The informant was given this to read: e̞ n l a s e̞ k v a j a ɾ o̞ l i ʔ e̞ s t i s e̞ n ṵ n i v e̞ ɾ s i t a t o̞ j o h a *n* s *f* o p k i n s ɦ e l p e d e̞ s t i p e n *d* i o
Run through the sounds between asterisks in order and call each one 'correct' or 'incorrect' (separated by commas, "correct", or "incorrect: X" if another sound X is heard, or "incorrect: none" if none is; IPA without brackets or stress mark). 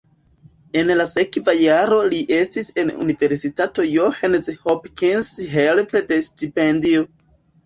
correct, incorrect: h, correct